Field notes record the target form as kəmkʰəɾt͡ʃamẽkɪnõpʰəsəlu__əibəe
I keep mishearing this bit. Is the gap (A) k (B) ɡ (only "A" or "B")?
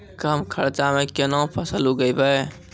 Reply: B